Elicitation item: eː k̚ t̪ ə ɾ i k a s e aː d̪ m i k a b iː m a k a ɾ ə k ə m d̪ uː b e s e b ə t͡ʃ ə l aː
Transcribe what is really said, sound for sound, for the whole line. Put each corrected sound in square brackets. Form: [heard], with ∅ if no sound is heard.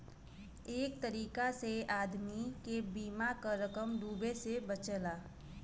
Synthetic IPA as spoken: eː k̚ t̪ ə ɾ [iː] k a s e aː d̪ m i k [e] b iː m a k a ɾ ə k ə m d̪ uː b e s e b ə t͡ʃ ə l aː